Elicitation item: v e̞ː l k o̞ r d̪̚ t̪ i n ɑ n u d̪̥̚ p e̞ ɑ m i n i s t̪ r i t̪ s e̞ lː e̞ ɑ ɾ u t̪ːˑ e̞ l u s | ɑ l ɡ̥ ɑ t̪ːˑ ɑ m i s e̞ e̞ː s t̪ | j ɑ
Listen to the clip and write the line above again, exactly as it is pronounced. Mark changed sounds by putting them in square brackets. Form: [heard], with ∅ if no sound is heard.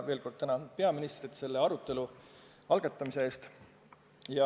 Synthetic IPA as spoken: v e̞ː l k o̞ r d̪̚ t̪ [æ] n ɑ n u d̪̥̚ p e̞ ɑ m i n i s t̪ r i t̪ s e̞ lː e̞ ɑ ɾ u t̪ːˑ e̞ l u [∅] | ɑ l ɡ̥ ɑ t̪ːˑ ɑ m i s e̞ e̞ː s t̪ | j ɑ